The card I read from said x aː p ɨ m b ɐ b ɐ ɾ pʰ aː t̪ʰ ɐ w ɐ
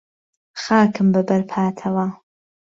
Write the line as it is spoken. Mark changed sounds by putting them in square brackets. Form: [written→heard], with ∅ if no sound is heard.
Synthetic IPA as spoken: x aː [p→k] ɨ m b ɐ b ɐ ɾ pʰ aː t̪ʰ ɐ w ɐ